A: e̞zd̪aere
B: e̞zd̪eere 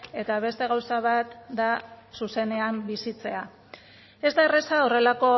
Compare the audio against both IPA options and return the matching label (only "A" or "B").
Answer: A